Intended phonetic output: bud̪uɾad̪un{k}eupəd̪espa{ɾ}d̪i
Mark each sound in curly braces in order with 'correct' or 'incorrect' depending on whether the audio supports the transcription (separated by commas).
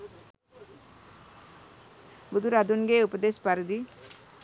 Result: incorrect, correct